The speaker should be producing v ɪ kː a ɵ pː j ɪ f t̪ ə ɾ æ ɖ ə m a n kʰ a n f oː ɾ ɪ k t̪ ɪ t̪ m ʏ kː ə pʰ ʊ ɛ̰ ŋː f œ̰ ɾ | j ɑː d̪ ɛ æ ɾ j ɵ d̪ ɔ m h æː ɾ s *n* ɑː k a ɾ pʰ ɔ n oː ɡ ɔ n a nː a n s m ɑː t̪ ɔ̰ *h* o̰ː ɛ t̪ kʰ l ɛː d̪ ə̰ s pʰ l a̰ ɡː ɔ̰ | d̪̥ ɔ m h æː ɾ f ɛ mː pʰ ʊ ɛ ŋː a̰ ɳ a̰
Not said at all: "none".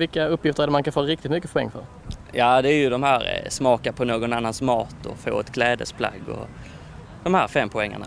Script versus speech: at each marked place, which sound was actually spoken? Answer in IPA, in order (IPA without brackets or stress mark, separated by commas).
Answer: m, f